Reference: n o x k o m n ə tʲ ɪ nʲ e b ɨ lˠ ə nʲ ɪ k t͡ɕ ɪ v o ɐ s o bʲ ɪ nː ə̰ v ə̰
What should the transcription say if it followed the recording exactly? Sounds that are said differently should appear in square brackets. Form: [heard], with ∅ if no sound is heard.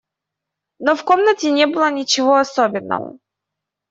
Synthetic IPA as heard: n o [f] k o m n ə tʲ ɪ nʲ e b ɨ lˠ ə nʲ ɪ [∅] t͡ɕ ɪ v o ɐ s o bʲ ɪ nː ə̰ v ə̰